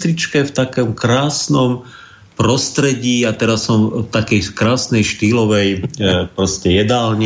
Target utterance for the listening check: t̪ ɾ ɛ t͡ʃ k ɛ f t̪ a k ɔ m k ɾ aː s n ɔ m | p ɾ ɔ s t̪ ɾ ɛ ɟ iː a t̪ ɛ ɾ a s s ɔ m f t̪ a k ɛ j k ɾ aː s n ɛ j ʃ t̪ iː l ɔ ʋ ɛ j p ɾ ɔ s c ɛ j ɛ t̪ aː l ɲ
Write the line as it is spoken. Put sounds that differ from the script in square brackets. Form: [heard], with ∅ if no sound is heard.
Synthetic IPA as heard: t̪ ɾ [i] t͡ʃ k ɛ f t̪ a k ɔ m k ɾ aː s n ɔ m | p ɾ ɔ s t̪ ɾ ɛ ɟ iː a t̪ ɛ ɾ a s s ɔ m f t̪ a k ɛ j k ɾ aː s n ɛ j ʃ t̪ iː l ɔ ʋ ɛ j p ɾ ɔ s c ɛ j ɛ [d̪] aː l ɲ